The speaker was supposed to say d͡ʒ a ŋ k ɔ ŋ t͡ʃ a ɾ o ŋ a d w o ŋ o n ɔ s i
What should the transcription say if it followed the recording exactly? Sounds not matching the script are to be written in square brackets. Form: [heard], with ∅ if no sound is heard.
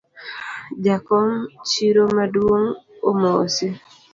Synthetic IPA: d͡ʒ a [∅] k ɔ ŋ t͡ʃ [i] ɾ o [m] a d w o ŋ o [m] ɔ s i